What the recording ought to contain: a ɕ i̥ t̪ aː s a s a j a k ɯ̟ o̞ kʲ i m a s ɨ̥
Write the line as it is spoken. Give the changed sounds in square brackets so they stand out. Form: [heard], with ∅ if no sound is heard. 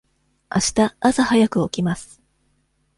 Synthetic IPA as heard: a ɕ i̥ t̪ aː s a [h] a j a k ɯ̟ o̞ kʲ i m a s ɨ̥